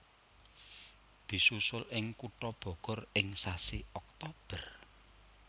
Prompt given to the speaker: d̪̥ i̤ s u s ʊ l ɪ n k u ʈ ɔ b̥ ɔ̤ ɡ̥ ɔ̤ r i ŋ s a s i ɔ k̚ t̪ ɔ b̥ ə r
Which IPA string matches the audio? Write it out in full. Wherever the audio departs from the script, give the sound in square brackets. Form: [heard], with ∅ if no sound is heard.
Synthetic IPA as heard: d̪̥ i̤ s u s ʊ l ɪ [ŋ] k u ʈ ɔ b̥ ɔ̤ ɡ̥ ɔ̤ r [ɪ] ŋ s a s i ɔ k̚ t̪ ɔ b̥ ə r